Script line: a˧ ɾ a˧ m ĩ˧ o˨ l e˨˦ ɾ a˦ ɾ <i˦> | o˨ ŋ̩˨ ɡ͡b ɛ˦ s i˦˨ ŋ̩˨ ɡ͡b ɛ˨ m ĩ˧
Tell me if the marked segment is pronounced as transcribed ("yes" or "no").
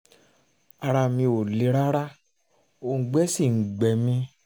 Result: no